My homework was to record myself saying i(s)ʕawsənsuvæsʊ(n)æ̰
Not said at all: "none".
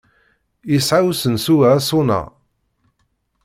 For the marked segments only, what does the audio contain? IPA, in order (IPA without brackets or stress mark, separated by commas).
s, n